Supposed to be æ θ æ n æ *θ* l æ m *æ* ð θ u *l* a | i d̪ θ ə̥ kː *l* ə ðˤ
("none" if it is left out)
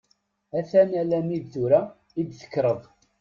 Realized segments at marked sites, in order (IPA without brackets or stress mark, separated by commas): none, i, ɾ, ɾ